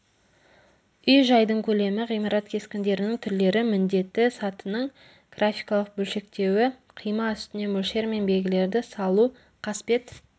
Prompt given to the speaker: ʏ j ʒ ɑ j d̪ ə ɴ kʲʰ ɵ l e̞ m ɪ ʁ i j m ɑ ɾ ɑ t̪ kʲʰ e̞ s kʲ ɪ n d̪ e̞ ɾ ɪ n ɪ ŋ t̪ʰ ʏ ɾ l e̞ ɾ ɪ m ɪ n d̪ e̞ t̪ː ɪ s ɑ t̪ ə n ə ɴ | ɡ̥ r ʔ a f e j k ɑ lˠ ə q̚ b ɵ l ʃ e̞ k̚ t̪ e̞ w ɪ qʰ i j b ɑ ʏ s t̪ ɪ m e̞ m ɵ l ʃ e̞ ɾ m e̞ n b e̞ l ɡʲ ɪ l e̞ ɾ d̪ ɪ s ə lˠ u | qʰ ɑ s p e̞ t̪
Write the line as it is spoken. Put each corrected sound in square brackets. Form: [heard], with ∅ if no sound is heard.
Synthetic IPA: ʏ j ʒ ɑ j d̪ ə ɴ kʲʰ ɵ l e̞ m ɪ ʁ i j m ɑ ɾ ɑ t̪ kʲʰ e̞ s kʲ ɪ n d̪ e̞ ɾ ɪ n ɪ ŋ t̪ʰ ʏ ɾ l e̞ ɾ ɪ m ɪ n d̪ e̞ t̪ː ɪ s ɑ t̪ ə n ə ɴ | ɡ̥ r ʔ a f [i] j k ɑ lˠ ə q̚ b ɵ l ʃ e̞ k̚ t̪ e̞ w ɪ qʰ i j [m] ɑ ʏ s t̪ ɪ [n] e̞ m ɵ l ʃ e̞ ɾ m e̞ n b e̞ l ɡʲ ɪ l e̞ ɾ d̪ ɪ s [ɑ] lˠ u | qʰ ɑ s p e̞ t̪